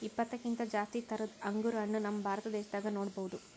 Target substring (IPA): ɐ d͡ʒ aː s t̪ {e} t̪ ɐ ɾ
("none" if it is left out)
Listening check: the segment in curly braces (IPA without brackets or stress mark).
i